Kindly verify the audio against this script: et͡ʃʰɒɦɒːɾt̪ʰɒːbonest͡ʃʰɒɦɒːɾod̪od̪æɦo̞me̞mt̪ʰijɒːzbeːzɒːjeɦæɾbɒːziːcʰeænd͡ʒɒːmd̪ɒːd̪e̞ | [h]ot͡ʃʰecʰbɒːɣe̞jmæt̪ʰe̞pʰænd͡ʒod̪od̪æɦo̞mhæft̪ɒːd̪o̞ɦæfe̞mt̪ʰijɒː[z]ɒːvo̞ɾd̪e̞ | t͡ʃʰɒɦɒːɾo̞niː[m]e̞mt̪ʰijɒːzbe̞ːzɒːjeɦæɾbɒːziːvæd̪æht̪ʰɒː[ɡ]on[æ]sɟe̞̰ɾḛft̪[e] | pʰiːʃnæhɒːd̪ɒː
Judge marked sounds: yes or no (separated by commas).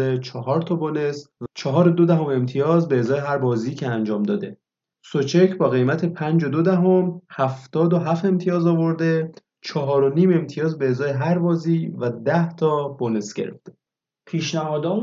no, yes, yes, no, no, yes